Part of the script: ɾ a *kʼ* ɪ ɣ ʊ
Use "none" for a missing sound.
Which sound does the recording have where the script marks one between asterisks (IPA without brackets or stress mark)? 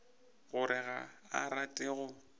tʼ